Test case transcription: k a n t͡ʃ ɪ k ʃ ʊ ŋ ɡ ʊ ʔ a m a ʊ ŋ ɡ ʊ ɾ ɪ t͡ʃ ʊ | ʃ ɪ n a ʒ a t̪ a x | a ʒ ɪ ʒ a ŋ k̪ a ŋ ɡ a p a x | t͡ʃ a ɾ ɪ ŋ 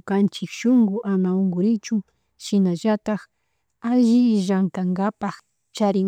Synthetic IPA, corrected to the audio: k a n t͡ʃ ɪ k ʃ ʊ ŋ ɡ ʊ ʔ a m a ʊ ŋ ɡ ʊ ɾ ɪ t͡ʃ ʊ | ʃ ɪ n a ʒ a t̪ a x | a ʒ ɪ ʒ a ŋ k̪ a ŋ ɡ a p a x | t͡ʃ a ɾ ɪ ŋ